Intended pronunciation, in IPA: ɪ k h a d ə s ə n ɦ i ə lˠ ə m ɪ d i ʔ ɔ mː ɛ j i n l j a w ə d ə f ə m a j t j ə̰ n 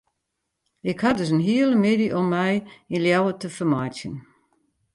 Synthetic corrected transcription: ɪ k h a d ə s ə n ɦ i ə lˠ ə m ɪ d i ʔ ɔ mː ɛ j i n l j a w ə t ə f ə m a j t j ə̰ n